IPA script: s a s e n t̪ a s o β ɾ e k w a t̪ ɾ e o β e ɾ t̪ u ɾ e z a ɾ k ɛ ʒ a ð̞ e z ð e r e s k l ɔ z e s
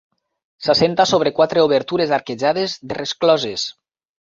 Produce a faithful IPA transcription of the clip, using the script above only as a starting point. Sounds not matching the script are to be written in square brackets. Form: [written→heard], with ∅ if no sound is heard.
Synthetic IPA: s a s e n t̪ a s o β ɾ e k w a t̪ ɾ e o β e ɾ t̪ u ɾ e z a ɾ k [ɛ→e] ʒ a ð̞ e z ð e r e s k l ɔ z e s